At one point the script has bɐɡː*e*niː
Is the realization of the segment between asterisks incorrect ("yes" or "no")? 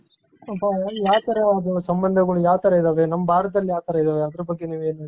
no